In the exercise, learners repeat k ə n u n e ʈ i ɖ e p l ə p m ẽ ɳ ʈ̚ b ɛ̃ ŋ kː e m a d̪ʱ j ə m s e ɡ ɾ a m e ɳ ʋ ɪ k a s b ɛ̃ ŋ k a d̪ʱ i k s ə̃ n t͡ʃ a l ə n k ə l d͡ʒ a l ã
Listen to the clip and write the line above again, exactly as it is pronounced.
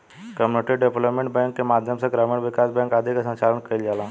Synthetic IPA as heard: k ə m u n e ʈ i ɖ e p l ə p m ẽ ɳ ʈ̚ b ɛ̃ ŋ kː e m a d̪ʱ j ə m s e ɡ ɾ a m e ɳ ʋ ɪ k a s b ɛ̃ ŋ k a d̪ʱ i k s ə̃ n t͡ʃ a l ə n k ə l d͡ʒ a l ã